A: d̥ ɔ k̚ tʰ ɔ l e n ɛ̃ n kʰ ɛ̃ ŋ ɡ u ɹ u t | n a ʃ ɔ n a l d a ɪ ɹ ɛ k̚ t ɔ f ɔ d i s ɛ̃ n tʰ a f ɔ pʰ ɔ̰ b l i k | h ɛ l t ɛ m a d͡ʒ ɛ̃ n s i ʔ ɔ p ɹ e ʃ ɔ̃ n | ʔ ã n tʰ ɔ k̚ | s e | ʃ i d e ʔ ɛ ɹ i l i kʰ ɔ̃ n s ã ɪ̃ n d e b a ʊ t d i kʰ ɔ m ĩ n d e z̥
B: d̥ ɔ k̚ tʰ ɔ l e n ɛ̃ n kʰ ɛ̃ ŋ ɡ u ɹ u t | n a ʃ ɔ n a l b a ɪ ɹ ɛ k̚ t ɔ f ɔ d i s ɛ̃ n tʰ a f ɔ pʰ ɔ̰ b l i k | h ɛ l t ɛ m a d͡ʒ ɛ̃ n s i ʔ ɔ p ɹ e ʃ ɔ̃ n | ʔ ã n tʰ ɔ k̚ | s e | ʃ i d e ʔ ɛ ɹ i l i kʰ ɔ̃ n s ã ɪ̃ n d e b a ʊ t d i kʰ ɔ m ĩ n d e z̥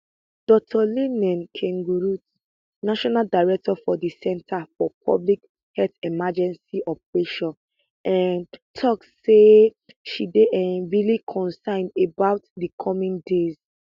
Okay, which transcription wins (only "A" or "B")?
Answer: A